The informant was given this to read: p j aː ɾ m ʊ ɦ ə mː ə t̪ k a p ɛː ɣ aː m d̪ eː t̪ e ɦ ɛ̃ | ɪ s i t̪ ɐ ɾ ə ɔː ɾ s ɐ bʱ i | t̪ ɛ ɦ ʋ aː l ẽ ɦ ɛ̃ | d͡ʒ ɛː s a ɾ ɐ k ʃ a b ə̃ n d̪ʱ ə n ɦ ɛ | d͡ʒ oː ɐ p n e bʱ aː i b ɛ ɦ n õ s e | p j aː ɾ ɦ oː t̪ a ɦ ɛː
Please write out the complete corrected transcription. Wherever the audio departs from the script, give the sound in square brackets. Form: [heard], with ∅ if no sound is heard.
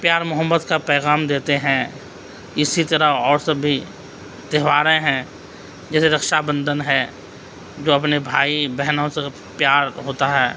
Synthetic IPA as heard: p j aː ɾ m ʊ ɦ ə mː ə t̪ k a p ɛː ɣ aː m d̪ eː t̪ e ɦ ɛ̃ | ɪ s i t̪ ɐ ɾ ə ɔː ɾ s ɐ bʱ i | t̪ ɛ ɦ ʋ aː [ɾ] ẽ ɦ ɛ̃ | d͡ʒ ɛː s [e] ɾ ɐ k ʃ a b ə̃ n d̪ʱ ə n ɦ ɛ | d͡ʒ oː ɐ p n e bʱ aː i b ɛ ɦ n õ s e | p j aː ɾ ɦ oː t̪ a ɦ ɛː

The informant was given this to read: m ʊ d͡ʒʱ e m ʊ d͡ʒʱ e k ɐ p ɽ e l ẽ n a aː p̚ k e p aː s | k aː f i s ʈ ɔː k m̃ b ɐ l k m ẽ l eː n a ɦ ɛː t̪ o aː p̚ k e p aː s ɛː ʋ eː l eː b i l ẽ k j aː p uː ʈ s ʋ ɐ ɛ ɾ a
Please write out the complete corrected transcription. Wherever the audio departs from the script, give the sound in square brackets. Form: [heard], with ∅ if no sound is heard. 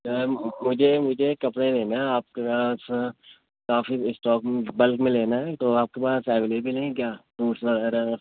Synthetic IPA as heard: m ʊ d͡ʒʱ e m ʊ d͡ʒʱ e k ɐ p ɽ e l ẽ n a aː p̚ k e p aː s | k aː f i s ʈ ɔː k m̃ b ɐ l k m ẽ l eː n a ɦ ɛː t̪ o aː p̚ k e p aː s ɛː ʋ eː l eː b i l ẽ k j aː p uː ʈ s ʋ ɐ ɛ ɾ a

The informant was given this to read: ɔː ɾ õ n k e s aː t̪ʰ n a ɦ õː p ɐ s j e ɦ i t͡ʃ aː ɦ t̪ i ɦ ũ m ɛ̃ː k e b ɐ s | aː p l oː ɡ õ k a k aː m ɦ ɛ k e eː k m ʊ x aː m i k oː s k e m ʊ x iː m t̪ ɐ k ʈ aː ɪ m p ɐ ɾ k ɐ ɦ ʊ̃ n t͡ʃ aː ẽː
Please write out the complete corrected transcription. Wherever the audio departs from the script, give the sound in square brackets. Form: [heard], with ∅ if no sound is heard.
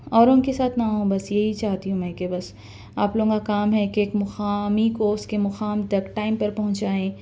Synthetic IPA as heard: ɔː ɾ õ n k e s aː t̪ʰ n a ɦ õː [b] ɐ s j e ɦ i t͡ʃ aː ɦ t̪ i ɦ ũ m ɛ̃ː k e b ɐ s | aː p l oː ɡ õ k a k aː m ɦ ɛ k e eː k m ʊ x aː m i k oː s k e m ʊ x [aː] m t̪ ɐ k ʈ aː ɪ m p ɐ ɾ [p] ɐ ɦ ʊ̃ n t͡ʃ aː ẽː

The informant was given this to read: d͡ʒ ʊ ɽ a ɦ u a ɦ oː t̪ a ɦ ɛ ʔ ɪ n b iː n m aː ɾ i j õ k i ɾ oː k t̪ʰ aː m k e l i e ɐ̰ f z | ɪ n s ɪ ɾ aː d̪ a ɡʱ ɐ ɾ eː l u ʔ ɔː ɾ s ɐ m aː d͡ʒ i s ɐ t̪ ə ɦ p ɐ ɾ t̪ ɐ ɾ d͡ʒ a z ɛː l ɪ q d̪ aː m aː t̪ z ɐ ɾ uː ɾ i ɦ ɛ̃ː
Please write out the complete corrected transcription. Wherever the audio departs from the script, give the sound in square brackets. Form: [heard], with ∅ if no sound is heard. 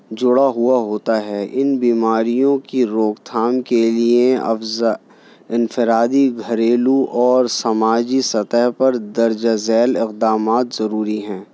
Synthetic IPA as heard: d͡ʒ ʊ ɽ a ɦ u a ɦ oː t̪ a ɦ ɛ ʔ ɪ n b iː [∅] m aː ɾ i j õ k i ɾ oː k t̪ʰ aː m k e l i e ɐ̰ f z | ɪ n [f] ɪ ɾ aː d̪ [i] ɡʱ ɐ ɾ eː l u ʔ ɔː ɾ s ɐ m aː d͡ʒ i s ɐ t̪ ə ɦ p ɐ ɾ [d̪] ɐ ɾ d͡ʒ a z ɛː l ɪ q d̪ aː m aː t̪ z ɐ ɾ uː ɾ i ɦ ɛ̃ː

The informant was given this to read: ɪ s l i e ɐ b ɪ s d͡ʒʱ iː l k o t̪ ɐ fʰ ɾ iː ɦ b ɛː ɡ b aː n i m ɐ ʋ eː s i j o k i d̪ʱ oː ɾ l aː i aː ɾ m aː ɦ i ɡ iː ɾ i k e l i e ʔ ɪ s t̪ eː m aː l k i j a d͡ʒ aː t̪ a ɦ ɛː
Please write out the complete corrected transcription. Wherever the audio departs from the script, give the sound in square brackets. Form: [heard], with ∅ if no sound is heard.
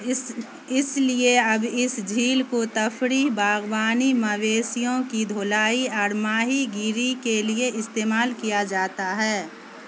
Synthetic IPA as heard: ɪ s l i e ɐ b ɪ s d͡ʒʱ iː l k o t̪ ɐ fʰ ɾ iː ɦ b [aː] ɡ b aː n i m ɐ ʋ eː s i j [õ] k i d̪ʱ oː [∅] l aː i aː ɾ m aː ɦ i ɡ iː ɾ i k e l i e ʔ ɪ s t̪ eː m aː l k i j a d͡ʒ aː t̪ a ɦ ɛː

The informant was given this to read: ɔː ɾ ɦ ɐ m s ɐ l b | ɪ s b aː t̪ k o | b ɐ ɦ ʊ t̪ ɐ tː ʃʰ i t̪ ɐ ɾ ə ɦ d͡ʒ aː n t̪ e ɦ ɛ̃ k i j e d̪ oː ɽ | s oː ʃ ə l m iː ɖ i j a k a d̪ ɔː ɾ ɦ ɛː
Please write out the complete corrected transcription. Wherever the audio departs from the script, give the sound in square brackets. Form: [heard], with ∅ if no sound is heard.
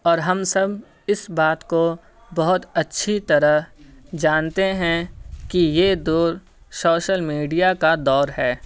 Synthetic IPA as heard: ɔː ɾ ɦ ɐ m s ɐ [∅] b | ɪ s b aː t̪ k o | b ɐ ɦ ʊ t̪ ɐ tː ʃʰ i t̪ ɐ ɾ ə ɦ d͡ʒ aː n t̪ e ɦ ɛ̃ k i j e d̪ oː [ɾ] | s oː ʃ ə l m iː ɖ i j a k a d̪ ɔː ɾ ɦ ɛː

